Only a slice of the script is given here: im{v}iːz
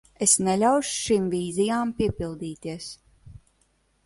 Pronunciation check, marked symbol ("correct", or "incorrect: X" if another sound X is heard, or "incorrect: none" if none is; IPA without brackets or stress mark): correct